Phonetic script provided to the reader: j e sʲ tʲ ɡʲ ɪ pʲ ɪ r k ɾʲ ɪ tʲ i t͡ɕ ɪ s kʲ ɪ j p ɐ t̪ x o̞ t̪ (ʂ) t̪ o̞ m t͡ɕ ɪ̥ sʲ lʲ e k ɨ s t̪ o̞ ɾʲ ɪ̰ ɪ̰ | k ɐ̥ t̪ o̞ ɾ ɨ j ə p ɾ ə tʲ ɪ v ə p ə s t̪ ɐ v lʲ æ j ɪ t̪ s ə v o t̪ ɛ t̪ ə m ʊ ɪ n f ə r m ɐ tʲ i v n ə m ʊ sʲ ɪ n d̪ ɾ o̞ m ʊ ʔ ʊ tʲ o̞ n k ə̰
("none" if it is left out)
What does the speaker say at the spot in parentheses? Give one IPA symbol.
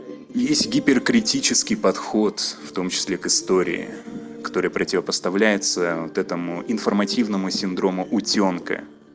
f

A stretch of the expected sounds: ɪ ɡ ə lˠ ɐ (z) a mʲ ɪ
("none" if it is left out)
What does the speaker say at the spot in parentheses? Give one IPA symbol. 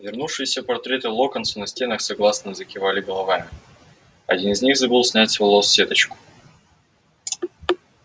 v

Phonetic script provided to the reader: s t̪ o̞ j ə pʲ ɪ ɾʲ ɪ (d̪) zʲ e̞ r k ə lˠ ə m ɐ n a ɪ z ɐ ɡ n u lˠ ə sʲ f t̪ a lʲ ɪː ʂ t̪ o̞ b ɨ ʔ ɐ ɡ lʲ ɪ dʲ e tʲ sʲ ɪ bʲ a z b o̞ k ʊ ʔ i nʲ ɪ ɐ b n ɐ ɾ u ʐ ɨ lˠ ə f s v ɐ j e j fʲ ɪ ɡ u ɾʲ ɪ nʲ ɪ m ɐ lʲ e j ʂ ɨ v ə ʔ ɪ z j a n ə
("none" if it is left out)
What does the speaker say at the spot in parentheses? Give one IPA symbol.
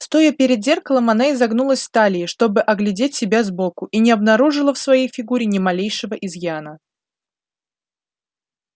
d̪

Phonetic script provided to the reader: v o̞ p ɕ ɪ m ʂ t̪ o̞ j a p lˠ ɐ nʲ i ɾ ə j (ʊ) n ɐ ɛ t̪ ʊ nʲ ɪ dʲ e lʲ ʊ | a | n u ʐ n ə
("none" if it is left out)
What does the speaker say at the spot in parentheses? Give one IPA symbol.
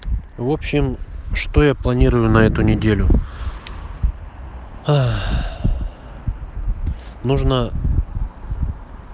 ʊ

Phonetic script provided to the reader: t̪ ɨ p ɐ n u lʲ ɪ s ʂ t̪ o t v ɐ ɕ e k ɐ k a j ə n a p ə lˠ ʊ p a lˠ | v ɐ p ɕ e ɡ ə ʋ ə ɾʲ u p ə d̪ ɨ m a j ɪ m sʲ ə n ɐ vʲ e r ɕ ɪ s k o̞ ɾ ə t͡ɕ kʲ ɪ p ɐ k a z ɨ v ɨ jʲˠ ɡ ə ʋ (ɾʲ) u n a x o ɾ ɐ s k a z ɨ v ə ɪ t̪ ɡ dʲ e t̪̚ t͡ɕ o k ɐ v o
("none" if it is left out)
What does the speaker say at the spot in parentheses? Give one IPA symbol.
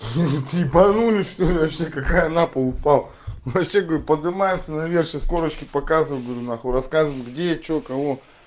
ɾʲ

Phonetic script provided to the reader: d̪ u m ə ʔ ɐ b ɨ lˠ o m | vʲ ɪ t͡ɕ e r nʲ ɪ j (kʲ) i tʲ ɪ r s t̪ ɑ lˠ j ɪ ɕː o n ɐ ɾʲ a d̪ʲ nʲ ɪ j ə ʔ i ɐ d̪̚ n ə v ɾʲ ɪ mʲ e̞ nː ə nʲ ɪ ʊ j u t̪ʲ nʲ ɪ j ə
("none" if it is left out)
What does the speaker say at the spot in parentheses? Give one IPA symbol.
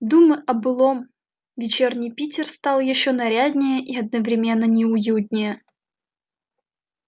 pʲ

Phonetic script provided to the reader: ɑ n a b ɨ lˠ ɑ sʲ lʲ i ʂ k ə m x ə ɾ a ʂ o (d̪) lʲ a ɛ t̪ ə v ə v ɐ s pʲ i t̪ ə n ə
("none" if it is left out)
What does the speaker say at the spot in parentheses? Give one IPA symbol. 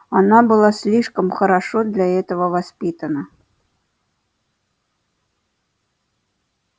d̪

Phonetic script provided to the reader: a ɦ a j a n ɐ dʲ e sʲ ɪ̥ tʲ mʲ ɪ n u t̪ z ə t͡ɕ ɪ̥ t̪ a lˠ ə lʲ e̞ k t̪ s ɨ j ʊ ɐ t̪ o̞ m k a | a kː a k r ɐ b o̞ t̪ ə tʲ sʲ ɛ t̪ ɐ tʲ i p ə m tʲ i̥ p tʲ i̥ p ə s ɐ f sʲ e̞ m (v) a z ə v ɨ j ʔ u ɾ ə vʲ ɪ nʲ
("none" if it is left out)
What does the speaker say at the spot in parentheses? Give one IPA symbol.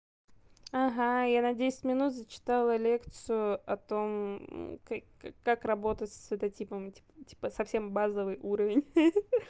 b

